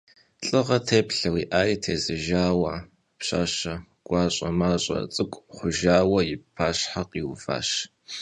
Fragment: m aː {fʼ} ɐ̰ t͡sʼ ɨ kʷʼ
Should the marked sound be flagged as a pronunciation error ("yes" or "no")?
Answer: yes